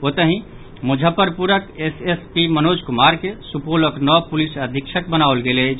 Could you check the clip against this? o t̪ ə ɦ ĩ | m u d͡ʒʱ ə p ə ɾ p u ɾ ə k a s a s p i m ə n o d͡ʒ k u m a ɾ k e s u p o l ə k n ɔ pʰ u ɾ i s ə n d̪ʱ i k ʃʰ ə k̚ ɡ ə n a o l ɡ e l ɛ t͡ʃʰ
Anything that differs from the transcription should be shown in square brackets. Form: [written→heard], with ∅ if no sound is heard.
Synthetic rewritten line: o t̪ ə ɦ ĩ | m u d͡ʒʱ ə p ə ɾ p u ɾ ə k [a→e] s [a→e] s p i m ə n o d͡ʒ k u m a ɾ k e s u p o l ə k n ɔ [pʰ→p] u [ɾ→l] i s ə [n→∅] d̪ʱ i k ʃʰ ə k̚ [ɡ→b] ə n a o l ɡ e l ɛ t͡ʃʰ